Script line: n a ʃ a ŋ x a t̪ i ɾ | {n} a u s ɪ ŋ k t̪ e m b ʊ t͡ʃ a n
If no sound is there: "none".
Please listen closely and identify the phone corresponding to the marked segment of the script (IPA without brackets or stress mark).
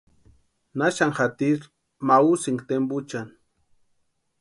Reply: m